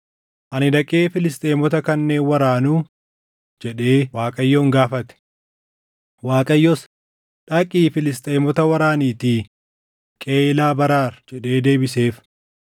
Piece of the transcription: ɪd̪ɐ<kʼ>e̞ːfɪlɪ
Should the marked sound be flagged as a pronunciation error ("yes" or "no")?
no